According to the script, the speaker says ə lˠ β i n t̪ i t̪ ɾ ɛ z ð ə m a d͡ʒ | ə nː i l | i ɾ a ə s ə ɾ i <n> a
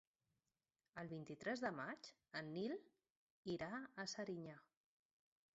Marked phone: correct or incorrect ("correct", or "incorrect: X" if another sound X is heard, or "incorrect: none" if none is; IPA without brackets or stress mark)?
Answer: incorrect: ɲ